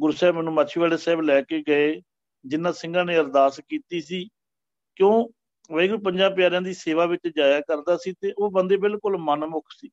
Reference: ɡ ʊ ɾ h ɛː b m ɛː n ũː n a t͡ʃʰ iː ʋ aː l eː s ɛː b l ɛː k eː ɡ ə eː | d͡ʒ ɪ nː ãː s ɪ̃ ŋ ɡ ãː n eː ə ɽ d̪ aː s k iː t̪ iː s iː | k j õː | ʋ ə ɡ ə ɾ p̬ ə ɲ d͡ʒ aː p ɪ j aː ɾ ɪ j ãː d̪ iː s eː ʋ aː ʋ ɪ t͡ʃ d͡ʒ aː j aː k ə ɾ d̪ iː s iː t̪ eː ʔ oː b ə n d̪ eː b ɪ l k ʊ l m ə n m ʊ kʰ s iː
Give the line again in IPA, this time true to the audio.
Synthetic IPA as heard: ɡ ʊ ɾ s ɛː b m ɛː n ũː m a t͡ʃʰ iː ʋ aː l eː s ɛː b l ɛː k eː ɡ ə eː | d͡ʒ ɪ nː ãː s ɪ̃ ŋ ɡ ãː n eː ə ɾ d̪ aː s k iː t̪ iː s iː | k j õː | ʋ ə ɡ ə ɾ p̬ ə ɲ d͡ʒ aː p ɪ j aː ɾ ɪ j ãː d̪ iː s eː ʋ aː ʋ ɪ t͡ʃ d͡ʒ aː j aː k ə ɾ d̪ aː s iː t̪ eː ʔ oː b ə n d̪ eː b ɪ l k ʊ l m ə n m ʊ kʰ s iː